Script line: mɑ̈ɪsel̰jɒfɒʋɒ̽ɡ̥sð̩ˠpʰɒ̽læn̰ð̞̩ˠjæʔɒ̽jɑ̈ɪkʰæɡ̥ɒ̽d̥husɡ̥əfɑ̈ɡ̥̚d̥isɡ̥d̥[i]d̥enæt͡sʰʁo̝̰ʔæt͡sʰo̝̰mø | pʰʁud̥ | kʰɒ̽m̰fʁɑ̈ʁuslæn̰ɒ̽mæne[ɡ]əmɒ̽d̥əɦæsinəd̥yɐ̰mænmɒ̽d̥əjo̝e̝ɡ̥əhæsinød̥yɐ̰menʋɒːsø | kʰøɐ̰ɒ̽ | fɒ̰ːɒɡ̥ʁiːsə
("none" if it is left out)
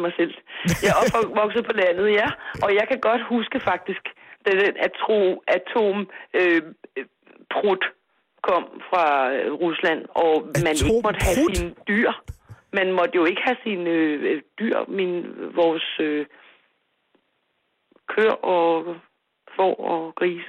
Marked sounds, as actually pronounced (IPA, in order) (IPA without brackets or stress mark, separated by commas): æ, ɡ